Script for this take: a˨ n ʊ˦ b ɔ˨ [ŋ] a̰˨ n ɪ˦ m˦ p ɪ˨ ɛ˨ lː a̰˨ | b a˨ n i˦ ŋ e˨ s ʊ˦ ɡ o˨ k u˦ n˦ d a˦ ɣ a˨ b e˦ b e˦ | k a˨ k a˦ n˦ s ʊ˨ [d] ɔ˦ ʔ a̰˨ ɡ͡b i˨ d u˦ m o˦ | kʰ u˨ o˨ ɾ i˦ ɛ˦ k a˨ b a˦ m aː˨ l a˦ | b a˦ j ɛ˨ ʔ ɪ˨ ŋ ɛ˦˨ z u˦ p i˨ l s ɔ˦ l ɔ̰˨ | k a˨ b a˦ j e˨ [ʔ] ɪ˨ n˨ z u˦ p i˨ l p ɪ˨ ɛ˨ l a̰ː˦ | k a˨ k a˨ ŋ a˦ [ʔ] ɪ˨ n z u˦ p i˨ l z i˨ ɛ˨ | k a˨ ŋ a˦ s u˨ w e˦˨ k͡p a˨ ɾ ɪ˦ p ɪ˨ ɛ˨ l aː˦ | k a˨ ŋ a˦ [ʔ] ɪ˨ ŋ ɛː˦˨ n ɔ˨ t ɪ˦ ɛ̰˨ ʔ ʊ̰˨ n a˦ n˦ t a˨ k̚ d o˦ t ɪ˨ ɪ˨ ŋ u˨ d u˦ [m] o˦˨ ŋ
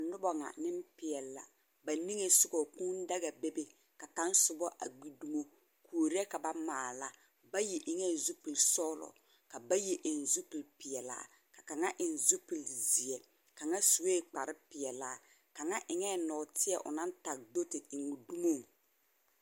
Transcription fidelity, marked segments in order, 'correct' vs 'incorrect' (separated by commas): correct, incorrect, correct, correct, correct, correct